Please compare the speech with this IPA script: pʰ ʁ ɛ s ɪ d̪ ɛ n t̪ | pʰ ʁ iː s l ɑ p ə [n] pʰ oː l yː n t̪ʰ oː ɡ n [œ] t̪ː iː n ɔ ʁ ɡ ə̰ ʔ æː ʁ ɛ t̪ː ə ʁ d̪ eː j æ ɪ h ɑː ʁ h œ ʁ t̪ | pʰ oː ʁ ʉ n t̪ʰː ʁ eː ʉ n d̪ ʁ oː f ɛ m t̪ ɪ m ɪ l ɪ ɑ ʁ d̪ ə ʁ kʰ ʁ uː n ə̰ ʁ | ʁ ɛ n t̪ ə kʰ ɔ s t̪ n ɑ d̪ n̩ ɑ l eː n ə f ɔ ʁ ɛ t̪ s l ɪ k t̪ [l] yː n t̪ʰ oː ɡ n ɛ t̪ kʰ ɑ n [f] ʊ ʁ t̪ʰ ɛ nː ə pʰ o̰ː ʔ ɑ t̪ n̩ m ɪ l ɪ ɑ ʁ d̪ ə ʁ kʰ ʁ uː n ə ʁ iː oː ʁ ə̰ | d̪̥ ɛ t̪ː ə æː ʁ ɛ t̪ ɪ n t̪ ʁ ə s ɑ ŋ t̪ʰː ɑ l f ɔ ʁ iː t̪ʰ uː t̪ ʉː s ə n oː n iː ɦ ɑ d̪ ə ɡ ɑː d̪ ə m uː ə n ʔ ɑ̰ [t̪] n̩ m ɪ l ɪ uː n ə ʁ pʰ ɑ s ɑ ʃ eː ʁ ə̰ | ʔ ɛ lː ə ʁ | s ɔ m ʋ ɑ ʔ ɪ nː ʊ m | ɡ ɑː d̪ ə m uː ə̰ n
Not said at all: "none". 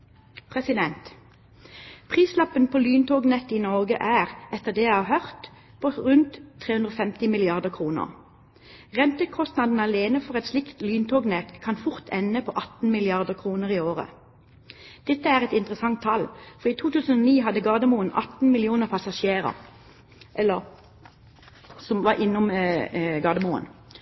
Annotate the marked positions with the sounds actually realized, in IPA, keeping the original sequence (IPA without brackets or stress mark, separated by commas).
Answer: n, ɛ, l, f, t̪